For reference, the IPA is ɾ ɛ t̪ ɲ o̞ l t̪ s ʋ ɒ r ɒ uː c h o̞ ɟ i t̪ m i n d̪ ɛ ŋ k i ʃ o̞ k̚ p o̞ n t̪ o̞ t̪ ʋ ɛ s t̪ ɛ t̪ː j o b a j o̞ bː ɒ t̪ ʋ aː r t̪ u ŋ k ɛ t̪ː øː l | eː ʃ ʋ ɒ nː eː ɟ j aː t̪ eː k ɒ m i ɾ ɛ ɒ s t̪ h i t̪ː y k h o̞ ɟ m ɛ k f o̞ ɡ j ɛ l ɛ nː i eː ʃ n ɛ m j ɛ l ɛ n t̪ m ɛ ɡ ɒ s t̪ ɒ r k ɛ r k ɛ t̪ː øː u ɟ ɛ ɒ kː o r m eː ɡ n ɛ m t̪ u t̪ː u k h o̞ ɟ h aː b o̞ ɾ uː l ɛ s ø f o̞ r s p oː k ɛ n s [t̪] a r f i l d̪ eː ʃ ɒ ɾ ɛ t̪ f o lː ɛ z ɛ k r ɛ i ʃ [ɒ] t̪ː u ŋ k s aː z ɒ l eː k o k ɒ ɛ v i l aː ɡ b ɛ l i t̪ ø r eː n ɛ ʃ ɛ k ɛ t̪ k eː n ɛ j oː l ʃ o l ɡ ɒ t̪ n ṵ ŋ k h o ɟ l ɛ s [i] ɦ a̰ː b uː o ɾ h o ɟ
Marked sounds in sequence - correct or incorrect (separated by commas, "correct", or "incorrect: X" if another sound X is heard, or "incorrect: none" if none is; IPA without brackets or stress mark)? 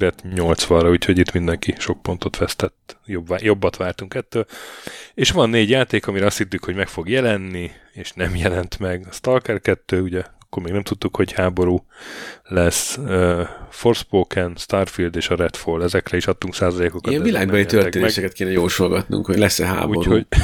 correct, correct, incorrect: ɛ